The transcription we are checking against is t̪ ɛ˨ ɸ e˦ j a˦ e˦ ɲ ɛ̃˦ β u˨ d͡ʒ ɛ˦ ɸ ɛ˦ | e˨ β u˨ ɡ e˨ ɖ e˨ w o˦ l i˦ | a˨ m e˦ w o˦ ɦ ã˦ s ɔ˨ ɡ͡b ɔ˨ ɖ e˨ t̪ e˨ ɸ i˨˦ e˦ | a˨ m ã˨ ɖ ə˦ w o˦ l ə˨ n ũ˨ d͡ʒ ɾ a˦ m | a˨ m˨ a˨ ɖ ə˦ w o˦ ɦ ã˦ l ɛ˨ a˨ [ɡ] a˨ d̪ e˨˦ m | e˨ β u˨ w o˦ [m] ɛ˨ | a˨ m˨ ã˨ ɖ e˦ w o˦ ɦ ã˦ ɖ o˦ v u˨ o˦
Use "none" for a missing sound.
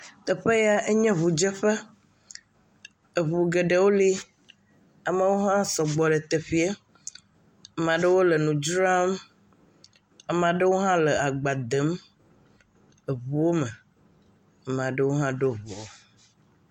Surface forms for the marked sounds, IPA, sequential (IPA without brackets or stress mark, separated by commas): ɡ͡b, m